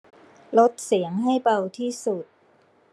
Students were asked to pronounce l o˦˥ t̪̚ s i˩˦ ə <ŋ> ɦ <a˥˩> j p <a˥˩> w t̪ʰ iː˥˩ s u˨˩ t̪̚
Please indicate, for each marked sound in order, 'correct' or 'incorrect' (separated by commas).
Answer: correct, correct, incorrect